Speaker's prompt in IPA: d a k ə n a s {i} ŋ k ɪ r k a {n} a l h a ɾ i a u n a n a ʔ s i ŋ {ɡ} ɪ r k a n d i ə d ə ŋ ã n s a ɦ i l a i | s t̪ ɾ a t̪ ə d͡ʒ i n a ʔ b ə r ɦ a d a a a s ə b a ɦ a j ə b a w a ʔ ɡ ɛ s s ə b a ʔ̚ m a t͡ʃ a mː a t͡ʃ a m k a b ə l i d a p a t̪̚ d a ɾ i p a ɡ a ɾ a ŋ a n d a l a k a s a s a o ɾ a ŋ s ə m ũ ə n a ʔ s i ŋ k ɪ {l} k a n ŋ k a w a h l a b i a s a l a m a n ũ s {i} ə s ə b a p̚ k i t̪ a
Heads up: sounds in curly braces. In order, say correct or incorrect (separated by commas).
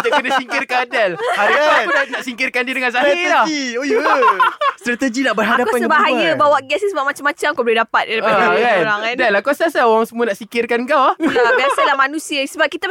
correct, incorrect, incorrect, incorrect, correct